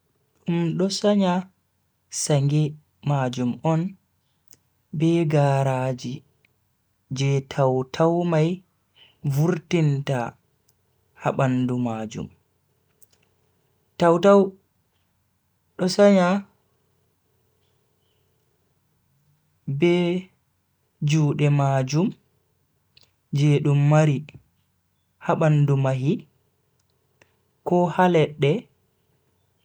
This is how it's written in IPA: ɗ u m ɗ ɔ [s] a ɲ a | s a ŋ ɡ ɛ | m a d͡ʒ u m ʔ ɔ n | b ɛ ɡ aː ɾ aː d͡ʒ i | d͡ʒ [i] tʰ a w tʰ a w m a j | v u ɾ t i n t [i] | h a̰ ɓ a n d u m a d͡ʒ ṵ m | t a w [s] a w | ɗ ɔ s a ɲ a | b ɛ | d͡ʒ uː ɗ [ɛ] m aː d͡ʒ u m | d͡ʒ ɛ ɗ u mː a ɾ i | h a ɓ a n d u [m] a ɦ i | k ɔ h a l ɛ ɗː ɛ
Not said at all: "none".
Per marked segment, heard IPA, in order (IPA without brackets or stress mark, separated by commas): s, ɛ, a, t, ɛ, m